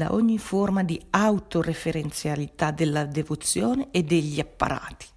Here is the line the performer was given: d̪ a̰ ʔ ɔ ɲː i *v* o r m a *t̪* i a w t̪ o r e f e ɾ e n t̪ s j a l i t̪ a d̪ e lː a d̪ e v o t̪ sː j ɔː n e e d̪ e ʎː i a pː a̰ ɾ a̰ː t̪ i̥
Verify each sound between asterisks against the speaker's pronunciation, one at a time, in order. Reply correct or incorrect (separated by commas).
incorrect, incorrect